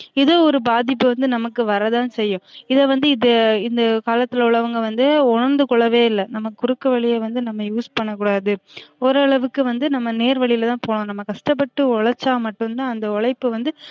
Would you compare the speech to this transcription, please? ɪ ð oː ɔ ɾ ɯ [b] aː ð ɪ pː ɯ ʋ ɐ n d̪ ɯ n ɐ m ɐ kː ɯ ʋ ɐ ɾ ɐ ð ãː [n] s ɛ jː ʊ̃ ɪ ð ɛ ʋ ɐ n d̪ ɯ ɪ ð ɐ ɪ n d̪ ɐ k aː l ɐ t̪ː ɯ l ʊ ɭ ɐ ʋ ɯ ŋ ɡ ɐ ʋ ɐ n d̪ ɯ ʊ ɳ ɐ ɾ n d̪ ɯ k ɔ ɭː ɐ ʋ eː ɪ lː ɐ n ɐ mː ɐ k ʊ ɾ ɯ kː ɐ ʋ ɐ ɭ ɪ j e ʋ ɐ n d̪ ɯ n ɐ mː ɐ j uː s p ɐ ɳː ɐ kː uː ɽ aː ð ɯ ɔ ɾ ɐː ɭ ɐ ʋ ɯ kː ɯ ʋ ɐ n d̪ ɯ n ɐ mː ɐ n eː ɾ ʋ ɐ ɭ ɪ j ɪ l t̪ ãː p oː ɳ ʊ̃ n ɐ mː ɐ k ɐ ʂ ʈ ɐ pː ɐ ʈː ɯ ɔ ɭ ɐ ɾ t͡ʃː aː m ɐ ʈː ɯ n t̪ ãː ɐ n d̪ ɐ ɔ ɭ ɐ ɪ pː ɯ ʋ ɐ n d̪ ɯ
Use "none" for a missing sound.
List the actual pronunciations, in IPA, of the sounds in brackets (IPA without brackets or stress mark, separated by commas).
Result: b, n